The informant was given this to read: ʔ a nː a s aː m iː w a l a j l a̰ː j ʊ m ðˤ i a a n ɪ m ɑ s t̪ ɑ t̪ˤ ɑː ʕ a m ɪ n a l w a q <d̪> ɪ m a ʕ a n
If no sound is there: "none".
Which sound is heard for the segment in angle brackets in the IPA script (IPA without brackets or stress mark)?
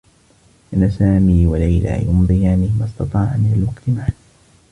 t̪